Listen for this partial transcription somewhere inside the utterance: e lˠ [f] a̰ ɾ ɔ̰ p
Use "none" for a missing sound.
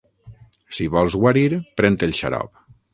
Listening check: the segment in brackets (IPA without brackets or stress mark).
ʃ